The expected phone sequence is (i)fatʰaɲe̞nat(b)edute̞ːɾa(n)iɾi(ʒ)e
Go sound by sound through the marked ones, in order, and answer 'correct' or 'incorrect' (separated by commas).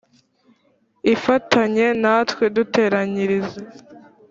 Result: correct, incorrect, incorrect, incorrect